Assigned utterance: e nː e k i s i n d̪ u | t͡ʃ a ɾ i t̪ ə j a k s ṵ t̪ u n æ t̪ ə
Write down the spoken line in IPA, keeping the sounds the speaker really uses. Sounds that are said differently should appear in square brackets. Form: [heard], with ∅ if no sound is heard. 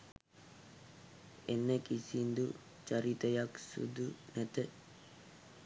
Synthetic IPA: e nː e k i s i n d̪ u | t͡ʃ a ɾ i t̪ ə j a k s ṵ [d̪] u n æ t̪ ə